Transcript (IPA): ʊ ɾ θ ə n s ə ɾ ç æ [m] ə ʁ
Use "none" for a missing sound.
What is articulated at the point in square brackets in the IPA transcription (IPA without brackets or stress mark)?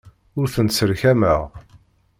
m